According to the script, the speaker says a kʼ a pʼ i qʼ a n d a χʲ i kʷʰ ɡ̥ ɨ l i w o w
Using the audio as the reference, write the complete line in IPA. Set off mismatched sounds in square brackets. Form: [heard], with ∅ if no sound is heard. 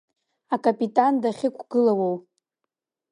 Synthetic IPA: a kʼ a pʼ i [tʼ] a n d a χʲ [ɪ] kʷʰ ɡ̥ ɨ l [a] w o w